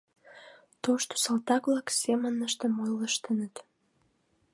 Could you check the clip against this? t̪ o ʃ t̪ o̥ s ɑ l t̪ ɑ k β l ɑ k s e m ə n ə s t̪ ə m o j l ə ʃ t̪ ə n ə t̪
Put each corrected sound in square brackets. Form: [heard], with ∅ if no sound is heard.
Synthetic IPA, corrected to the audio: t̪ o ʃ t̪ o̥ s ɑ l t̪ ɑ k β l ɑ k s e m ə n ə [ʃ] t̪ ə m o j l ə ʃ t̪ ə n ə t̪